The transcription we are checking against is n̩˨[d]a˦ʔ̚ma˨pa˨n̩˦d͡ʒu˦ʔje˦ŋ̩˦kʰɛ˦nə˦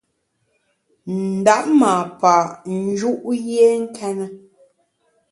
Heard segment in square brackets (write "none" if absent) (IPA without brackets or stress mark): d